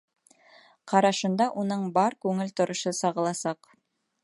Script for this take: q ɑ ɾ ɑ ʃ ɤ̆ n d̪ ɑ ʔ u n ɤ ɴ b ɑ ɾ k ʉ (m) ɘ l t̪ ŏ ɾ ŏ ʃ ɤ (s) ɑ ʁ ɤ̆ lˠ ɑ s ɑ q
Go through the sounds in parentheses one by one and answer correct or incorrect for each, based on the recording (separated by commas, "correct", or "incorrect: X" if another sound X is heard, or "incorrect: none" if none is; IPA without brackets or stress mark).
incorrect: ŋ, correct